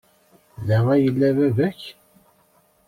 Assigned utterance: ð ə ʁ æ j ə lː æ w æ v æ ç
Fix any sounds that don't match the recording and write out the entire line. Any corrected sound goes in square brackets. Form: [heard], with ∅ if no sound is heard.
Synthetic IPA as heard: ð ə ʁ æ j ə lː æ [v] æ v æ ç